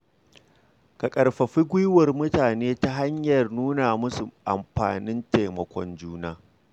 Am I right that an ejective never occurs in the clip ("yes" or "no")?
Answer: no